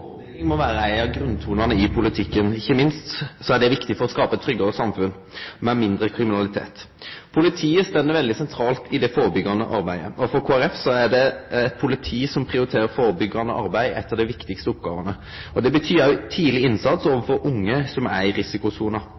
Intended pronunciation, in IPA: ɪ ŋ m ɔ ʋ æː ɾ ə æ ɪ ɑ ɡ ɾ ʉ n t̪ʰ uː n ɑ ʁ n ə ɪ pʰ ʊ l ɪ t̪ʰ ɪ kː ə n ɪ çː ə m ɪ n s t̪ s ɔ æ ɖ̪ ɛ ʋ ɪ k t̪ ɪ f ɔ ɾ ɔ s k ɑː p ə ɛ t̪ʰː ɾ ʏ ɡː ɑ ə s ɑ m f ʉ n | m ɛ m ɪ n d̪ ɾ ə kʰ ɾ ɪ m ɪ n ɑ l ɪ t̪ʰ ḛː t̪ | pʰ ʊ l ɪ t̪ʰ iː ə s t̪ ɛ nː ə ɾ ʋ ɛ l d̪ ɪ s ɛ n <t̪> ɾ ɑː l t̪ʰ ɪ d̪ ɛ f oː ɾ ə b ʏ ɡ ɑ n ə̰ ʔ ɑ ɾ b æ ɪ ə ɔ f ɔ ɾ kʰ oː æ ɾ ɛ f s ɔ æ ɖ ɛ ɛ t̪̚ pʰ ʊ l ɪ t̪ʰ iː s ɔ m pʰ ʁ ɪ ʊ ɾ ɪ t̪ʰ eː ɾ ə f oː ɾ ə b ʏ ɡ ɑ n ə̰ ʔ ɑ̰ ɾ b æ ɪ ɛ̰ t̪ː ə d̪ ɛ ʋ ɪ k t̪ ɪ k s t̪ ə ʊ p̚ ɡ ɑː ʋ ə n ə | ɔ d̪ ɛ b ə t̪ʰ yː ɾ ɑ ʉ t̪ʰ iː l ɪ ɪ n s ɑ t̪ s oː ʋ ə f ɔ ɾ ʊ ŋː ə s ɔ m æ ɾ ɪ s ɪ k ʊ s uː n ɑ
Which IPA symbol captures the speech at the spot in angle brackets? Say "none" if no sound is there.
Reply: t̪ʰ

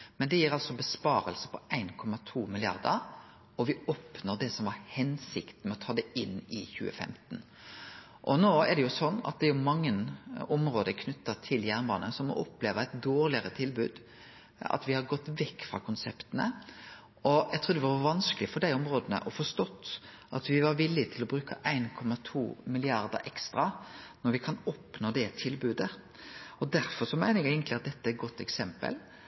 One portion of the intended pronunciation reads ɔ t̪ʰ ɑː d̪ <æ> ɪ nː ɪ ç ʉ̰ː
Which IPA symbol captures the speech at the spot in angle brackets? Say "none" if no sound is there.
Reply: ɛ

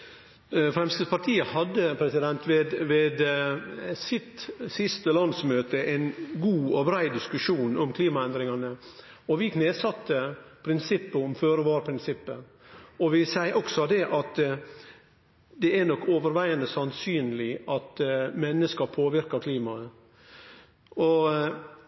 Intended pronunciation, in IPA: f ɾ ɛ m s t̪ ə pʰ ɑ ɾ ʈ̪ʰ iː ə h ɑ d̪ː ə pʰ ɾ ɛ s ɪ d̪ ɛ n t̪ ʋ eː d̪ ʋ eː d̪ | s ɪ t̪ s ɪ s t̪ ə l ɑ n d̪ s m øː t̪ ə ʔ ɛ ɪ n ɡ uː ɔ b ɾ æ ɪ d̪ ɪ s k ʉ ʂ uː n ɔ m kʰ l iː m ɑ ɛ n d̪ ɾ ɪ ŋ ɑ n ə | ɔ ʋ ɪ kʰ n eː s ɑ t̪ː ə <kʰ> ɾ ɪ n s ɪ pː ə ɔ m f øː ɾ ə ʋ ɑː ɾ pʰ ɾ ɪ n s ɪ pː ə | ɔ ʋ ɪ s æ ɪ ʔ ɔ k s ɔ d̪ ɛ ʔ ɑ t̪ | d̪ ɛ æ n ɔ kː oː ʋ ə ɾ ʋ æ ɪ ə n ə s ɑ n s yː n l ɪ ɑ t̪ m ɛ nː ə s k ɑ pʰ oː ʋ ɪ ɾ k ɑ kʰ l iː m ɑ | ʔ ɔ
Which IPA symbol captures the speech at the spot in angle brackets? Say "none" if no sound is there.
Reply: pʰ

